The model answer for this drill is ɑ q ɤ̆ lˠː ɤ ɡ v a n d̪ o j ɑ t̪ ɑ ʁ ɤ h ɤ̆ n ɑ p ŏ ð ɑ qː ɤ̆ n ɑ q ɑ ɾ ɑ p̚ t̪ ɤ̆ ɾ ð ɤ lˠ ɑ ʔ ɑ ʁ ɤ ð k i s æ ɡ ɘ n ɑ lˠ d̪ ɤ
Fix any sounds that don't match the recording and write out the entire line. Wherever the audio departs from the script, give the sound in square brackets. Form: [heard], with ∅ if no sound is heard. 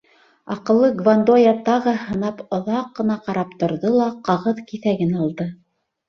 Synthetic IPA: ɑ q ɤ̆ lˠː ɤ ɡ v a n d̪ o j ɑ t̪ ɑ ʁ ɤ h ɤ̆ n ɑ p ŏ ð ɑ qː ɤ̆ n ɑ q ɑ ɾ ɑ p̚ t̪ [ŏ] ɾ ð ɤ lˠ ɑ [q] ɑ ʁ ɤ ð k i [θ] æ ɡ ɘ n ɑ lˠ d̪ ɤ